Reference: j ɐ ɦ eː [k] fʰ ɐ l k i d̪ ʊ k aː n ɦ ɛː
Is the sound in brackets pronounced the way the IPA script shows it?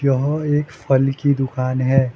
yes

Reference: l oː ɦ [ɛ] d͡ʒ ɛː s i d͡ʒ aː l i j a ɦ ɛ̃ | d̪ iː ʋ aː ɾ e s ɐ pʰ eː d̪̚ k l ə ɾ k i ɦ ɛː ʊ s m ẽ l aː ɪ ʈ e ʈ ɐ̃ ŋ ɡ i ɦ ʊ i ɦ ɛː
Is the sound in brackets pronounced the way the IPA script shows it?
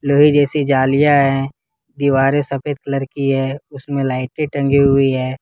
no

